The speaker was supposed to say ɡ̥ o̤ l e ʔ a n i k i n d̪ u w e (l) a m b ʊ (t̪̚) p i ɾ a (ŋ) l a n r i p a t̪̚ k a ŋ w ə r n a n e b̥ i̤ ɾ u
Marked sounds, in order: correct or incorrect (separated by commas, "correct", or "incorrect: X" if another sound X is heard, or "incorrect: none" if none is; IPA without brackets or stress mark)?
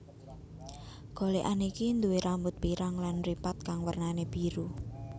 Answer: incorrect: ɾ, correct, correct